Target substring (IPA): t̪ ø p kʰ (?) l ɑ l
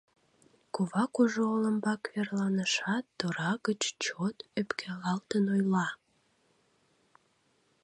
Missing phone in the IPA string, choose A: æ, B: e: A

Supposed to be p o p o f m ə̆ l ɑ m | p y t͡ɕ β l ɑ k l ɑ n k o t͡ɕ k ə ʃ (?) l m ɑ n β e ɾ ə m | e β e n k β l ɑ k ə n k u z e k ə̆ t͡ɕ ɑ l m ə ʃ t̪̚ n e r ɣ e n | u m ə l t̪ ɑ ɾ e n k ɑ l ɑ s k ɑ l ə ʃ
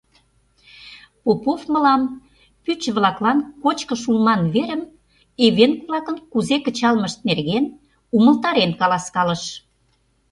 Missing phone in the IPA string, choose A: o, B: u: B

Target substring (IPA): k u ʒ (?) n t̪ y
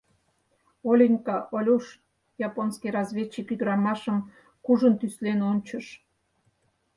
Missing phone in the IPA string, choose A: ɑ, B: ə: B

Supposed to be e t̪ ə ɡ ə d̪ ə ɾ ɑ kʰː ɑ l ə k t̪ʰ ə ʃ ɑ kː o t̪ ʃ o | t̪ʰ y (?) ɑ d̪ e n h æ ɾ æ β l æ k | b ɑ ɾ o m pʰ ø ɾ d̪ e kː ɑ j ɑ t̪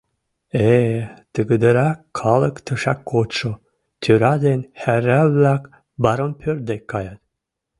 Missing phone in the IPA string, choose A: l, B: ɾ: B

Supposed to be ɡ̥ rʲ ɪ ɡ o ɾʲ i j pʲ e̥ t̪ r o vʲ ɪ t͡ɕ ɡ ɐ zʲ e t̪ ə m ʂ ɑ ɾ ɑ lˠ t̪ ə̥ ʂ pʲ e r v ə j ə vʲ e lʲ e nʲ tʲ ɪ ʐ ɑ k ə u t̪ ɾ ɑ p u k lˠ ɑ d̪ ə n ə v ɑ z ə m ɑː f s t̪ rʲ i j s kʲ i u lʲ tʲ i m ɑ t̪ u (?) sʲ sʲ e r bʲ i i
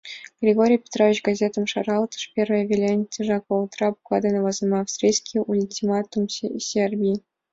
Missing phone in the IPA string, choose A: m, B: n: A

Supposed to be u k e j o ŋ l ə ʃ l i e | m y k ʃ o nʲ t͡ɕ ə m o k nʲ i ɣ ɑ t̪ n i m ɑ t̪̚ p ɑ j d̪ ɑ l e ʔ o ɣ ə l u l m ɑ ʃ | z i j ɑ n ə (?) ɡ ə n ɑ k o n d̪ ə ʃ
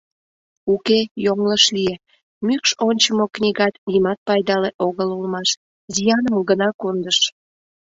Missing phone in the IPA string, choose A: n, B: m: B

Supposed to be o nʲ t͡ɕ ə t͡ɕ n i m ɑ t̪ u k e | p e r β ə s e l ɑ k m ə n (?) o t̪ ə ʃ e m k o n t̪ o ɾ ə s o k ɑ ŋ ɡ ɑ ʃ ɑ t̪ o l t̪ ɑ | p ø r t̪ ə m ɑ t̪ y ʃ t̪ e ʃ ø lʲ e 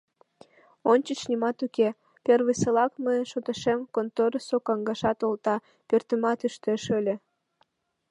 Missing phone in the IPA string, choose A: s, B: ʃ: B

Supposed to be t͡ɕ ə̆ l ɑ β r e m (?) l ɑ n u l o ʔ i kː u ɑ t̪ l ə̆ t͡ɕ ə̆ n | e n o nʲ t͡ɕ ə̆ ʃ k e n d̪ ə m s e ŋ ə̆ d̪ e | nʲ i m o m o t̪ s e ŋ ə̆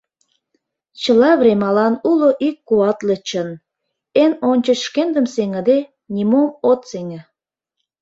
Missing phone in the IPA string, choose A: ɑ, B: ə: A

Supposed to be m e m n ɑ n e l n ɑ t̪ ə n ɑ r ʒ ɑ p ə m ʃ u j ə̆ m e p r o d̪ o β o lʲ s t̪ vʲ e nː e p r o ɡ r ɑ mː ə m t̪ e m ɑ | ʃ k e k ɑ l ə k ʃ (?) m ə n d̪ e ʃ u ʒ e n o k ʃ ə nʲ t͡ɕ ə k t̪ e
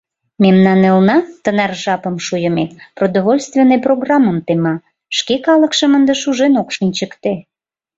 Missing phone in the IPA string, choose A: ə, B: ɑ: A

